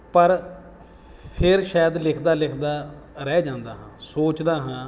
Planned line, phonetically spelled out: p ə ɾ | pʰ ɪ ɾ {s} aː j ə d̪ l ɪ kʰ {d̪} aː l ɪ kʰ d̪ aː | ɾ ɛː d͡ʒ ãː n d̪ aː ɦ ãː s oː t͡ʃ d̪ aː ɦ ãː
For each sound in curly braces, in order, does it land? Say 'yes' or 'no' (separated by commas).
no, yes